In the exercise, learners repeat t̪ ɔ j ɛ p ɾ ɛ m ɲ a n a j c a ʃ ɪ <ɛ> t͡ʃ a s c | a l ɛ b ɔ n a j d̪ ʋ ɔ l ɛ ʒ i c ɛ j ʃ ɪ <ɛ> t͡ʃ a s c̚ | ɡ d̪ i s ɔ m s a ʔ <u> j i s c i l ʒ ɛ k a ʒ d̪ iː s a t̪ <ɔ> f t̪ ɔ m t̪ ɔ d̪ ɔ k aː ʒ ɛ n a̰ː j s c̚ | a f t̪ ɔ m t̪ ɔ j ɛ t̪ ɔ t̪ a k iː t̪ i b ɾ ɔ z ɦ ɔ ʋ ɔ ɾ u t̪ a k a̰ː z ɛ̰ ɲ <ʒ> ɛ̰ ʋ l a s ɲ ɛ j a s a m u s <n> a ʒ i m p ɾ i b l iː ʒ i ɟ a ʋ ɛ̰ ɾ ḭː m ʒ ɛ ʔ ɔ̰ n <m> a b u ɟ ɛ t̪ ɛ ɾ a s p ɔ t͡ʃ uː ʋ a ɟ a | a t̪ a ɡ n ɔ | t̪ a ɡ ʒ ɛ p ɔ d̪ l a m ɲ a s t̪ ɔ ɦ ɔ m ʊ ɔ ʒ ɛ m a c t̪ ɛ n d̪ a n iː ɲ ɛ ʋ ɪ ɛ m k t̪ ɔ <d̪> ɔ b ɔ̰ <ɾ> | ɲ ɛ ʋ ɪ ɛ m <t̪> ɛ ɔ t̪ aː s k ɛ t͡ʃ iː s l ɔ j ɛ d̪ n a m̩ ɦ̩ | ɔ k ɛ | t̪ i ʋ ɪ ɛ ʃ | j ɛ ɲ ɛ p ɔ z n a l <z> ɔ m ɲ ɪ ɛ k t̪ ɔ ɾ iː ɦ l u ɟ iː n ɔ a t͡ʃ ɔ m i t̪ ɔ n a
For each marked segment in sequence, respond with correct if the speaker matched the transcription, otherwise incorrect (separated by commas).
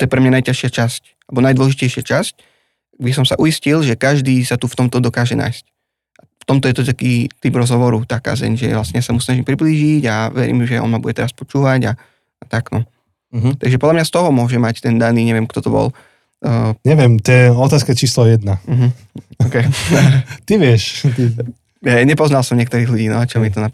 incorrect, incorrect, correct, incorrect, correct, correct, correct, incorrect, incorrect, correct, incorrect